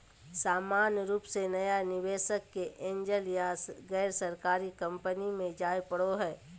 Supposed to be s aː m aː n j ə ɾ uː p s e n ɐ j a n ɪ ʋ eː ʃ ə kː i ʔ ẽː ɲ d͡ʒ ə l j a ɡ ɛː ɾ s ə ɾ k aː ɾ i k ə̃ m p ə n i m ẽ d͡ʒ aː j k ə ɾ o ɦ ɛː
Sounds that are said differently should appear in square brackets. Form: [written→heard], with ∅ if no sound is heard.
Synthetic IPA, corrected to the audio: s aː m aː n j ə ɾ uː p s e n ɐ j a n ɪ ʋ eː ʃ ə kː [i→e] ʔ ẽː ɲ d͡ʒ ə l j a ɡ ɛː ɾ s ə ɾ k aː ɾ i k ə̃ m p ə n i m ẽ d͡ʒ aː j [k→p] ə [ɾ→ɽ] o ɦ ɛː